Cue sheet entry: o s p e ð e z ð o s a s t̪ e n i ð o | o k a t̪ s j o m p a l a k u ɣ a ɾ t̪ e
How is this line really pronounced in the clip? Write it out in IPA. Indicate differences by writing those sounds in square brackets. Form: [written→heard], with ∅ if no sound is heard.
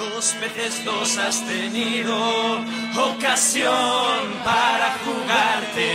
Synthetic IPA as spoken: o s p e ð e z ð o s a s t̪ e n i ð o | o k a [t̪→∅] s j o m p a [l→ɾ] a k u ɣ a ɾ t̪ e

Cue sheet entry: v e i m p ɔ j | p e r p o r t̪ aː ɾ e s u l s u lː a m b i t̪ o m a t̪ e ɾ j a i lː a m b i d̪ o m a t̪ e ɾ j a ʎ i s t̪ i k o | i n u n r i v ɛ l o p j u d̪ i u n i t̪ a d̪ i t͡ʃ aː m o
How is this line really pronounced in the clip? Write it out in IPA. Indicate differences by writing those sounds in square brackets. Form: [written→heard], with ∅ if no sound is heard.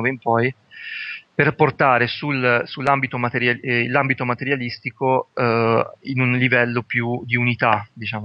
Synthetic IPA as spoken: v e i m p ɔ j | p e r p o r t̪ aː ɾ e s u l s u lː a m b i t̪ o m a t̪ e ɾ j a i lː a m b i [d̪→t̪] o m a t̪ e ɾ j a [ʎ→l] i s t̪ i k o | i n u n [r→l] i v ɛ [l→lː] o p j u d̪ i u n i t̪ a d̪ i t͡ʃ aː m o

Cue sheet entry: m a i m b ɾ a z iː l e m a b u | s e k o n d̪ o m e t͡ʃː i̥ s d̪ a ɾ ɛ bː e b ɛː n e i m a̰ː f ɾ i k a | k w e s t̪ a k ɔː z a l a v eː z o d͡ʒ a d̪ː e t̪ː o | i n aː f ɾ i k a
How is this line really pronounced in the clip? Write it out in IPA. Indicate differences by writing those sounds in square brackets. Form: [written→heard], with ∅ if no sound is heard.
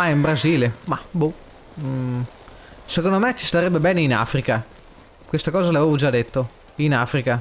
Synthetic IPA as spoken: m a i m b ɾ a z iː l e m a b u | s e k o n d̪ o m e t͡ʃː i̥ s [d̪→t̪] a ɾ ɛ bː e b ɛː n e i [m→n] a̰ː f ɾ i k a | k w e s t̪ a k ɔː z a l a v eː [z→v] o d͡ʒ a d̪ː e t̪ː o | i n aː f ɾ i k a

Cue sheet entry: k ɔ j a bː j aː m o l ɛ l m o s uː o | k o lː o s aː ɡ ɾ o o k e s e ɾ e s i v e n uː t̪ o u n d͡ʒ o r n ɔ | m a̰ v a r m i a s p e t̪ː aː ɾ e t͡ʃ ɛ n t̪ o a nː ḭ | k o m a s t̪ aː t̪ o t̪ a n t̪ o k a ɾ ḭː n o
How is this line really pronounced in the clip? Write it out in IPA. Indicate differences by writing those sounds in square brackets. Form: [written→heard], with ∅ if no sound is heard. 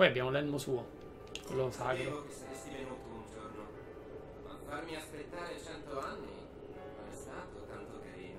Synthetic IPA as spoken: [k→p] ɔ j a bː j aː m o l ɛ l m o s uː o | k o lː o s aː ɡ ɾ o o k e s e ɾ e s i v e n uː t̪ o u n d͡ʒ o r n [ɔ→o] | m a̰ [v→f] a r m i a s p e t̪ː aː ɾ e t͡ʃ ɛ n t̪ o a nː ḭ | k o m [a→ɛ] s t̪ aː t̪ o t̪ a n t̪ o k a ɾ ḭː n o

